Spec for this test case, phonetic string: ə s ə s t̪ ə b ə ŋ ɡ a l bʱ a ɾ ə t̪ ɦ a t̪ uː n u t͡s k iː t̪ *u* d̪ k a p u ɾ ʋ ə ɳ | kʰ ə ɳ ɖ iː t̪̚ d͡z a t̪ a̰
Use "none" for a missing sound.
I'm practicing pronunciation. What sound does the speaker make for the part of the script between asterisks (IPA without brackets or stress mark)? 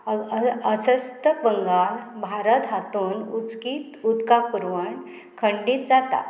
u